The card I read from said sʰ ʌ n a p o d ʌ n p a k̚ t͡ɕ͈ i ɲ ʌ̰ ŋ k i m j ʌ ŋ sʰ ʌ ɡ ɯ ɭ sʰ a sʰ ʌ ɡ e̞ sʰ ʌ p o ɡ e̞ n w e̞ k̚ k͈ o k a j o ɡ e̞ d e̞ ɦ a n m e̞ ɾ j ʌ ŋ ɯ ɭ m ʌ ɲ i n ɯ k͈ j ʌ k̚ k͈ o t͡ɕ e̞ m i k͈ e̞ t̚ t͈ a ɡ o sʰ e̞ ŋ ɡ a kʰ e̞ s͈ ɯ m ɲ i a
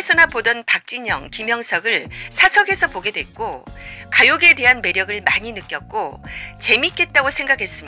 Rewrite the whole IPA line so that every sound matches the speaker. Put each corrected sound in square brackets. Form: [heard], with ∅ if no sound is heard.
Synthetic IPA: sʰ ʌ n a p o d ʌ n p a k̚ t͡ɕ͈ i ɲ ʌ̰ ŋ k i m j ʌ ŋ sʰ ʌ ɡ ɯ ɭ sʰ a sʰ ʌ ɡ e̞ sʰ ʌ p o ɡ e̞ [d] w e̞ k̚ k͈ o k a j o ɡ e̞ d e̞ ɦ a n m e̞ ɾ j ʌ [ɡ] ɯ ɭ m [a] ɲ i n ɯ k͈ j ʌ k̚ k͈ o t͡ɕ e̞ m i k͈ e̞ t̚ t͈ a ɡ o sʰ e̞ ŋ ɡ a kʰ e̞ s͈ ɯ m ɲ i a